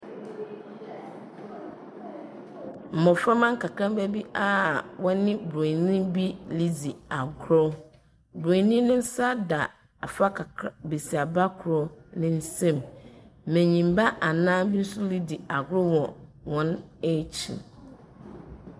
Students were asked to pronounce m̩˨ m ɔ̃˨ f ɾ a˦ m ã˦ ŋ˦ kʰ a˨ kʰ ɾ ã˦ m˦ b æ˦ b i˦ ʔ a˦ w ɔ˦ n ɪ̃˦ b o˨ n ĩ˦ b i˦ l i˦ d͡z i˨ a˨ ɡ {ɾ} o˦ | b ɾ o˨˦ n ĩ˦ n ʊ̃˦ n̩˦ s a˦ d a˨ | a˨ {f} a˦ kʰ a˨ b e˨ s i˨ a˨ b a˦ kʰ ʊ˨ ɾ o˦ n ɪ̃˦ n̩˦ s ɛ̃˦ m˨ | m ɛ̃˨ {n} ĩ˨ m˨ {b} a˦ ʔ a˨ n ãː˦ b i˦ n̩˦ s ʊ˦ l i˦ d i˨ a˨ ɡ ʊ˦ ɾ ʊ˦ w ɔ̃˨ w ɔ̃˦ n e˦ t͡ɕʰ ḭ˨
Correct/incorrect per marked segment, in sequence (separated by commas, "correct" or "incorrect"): correct, correct, incorrect, correct